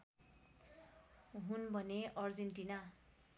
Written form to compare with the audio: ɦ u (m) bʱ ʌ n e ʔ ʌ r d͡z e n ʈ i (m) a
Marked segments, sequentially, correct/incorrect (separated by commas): incorrect, incorrect